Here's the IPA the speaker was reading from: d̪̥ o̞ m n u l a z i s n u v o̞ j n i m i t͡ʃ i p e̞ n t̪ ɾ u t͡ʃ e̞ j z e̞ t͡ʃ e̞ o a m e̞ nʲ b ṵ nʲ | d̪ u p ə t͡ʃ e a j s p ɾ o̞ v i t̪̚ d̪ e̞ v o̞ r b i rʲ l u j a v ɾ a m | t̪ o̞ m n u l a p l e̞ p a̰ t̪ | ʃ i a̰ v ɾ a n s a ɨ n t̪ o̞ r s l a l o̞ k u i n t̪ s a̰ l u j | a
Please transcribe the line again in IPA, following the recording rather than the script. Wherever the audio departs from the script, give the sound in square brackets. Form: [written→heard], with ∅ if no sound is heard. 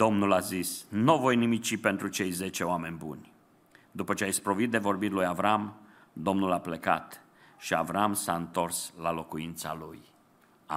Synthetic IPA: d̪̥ o̞ m n u l a z i s n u v o̞ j n i m i t͡ʃ i p e̞ n t̪ ɾ u t͡ʃ e̞ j z e̞ t͡ʃ e̞ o a m e̞ nʲ b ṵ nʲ | d̪ u p ə t͡ʃ e a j s p ɾ o̞ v i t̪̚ d̪ e̞ v o̞ r b i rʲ l u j a v ɾ a m | [t̪→d̪] o̞ m n u l a p l e̞ [p→k] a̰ t̪ | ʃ i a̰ v ɾ a [n→m] s a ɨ n t̪ o̞ r s l a l o̞ k u i n t̪ s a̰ l u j | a